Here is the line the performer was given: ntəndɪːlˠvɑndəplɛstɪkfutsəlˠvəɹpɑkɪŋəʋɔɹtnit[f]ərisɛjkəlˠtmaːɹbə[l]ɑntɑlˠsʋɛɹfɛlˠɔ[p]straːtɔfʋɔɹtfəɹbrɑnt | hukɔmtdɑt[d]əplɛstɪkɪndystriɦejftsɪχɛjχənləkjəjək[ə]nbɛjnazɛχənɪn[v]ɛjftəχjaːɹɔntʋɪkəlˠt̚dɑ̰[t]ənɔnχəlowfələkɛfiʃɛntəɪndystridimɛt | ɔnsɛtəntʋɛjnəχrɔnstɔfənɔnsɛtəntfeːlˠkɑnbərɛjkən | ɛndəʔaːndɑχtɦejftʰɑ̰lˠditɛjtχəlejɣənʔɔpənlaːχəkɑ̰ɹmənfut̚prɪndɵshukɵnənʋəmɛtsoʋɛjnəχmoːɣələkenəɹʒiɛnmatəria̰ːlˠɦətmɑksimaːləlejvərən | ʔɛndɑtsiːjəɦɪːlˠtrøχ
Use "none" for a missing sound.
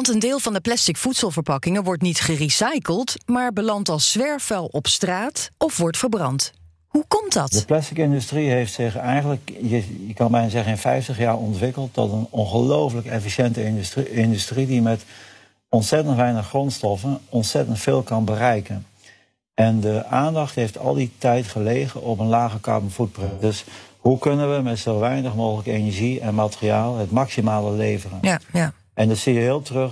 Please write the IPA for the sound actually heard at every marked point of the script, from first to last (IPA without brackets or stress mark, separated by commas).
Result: χ, l, p, d, ɑ, f, t